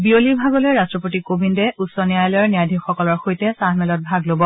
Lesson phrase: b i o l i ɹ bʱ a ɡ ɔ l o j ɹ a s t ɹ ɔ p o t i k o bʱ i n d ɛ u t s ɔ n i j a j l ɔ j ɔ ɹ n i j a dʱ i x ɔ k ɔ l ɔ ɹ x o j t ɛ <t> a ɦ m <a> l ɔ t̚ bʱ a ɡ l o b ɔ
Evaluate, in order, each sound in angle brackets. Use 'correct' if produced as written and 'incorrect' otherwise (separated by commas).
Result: incorrect, incorrect